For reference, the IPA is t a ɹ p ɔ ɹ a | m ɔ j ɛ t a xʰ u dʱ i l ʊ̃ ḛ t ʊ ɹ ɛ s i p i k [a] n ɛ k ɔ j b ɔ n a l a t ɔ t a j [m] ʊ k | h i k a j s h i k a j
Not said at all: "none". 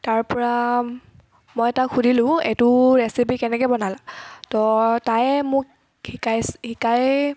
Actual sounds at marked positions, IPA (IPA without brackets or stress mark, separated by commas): ɛ, m